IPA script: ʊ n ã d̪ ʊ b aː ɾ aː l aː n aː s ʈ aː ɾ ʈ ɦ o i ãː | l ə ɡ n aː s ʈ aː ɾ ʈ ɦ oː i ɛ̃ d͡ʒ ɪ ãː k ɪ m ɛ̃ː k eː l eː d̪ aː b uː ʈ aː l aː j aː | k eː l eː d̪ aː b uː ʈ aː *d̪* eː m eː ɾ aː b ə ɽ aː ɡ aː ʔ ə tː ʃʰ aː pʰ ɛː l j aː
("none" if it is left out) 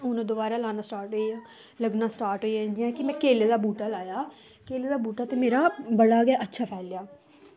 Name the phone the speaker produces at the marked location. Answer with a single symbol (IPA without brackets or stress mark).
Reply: t̪